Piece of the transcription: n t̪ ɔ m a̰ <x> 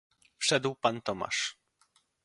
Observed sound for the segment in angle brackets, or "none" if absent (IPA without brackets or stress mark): ʂ